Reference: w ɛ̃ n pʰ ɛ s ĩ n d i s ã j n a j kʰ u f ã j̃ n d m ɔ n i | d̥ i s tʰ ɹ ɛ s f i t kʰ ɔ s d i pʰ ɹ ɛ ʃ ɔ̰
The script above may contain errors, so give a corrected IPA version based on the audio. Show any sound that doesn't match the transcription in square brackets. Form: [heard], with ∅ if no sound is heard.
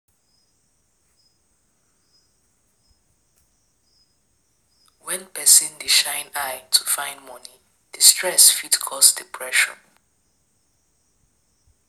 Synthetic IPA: w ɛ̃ n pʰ ɛ s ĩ n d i [ʃ] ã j n a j [tʰ] u f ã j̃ n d m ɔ n i | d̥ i s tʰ ɹ ɛ s f i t kʰ ɔ s d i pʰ ɹ ɛ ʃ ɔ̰